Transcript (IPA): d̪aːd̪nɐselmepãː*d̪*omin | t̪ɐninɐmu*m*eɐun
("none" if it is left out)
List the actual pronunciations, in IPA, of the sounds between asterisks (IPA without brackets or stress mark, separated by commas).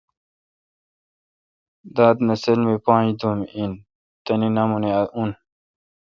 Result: d̪, n